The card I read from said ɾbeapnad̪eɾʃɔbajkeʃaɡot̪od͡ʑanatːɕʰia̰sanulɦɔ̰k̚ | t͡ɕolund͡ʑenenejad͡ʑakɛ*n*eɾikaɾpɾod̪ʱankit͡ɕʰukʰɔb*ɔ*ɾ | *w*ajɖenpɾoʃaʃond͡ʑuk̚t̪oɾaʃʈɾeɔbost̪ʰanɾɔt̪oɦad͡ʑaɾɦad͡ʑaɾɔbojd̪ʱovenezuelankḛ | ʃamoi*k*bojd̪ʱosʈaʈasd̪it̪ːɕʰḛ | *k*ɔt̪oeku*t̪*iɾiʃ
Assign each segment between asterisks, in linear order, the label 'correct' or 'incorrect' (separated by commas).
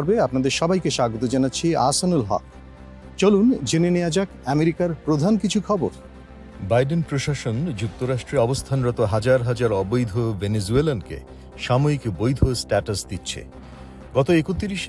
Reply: incorrect, incorrect, incorrect, correct, incorrect, correct